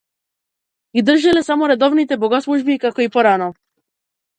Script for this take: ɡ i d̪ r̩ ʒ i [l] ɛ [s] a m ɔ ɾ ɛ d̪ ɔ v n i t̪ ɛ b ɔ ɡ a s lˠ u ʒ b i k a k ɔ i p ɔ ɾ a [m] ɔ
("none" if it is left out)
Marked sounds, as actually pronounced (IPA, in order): l, s, n

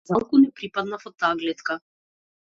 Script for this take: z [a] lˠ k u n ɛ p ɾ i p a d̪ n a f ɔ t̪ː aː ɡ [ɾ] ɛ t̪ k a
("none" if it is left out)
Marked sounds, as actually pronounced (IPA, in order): a, l

